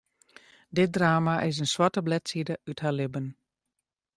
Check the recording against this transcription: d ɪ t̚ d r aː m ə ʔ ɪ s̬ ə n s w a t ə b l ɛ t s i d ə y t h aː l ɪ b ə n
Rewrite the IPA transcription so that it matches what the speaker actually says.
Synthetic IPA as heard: d ɪ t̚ d r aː m a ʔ ɪ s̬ ə n s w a t ə b l ɛ t s i d ə y t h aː l ɪ b ə n

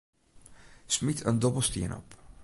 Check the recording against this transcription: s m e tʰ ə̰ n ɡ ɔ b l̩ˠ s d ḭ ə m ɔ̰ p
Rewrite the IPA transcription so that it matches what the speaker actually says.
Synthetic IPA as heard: s m i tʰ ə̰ n d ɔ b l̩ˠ s t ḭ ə n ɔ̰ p

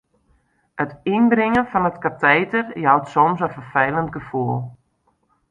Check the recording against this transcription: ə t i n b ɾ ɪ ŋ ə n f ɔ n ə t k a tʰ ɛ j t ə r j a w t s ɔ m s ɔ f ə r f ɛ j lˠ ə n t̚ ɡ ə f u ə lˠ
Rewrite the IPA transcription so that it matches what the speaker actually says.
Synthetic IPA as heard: ə t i n b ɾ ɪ ŋ ə n f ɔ n ə t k a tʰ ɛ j t ə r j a w t s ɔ m s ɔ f ə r f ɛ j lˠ ə n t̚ ɡ ə f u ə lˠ

